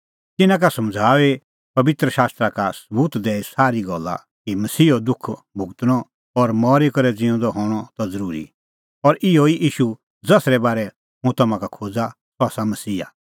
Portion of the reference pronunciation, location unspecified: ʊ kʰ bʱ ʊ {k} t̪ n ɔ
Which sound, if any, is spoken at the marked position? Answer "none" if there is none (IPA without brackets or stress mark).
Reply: ɡ